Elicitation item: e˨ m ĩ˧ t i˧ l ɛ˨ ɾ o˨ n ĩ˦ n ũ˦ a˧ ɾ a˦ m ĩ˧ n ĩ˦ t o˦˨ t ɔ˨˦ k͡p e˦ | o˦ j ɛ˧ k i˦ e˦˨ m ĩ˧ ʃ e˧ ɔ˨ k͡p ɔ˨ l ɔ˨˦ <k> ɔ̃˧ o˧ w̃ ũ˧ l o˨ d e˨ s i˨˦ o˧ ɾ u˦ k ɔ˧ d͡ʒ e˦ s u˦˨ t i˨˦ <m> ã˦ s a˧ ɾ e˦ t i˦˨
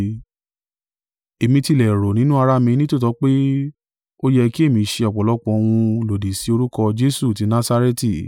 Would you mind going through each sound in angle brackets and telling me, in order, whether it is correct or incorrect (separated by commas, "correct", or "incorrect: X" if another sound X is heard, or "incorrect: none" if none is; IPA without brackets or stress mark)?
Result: incorrect: k͡p, incorrect: n